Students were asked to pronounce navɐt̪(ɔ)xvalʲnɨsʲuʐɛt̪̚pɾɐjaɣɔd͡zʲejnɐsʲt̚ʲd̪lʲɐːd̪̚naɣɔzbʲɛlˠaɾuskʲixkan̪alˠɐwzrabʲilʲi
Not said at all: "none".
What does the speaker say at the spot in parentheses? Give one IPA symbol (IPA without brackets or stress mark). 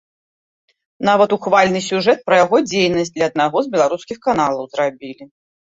u